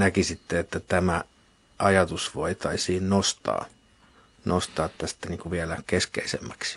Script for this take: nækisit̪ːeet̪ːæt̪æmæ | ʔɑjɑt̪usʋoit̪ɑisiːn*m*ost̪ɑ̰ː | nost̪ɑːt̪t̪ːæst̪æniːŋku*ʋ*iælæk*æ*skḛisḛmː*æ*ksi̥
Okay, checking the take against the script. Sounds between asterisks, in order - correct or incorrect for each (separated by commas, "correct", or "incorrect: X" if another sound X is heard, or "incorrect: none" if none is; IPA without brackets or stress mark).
incorrect: n, correct, incorrect: e, correct